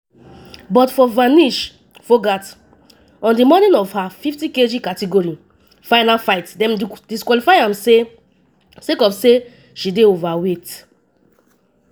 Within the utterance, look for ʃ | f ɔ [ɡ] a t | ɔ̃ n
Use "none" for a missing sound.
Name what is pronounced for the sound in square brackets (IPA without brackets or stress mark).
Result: ɡ